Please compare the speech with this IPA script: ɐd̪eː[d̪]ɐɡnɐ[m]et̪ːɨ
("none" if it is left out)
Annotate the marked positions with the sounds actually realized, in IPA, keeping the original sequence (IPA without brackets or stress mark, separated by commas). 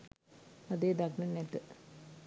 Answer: d̪, n